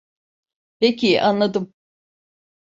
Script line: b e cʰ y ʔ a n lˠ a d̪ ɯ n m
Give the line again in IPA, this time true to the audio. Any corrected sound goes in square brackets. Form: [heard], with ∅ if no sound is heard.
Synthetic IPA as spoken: [p] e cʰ [i] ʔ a n lˠ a d̪ ɯ [∅] m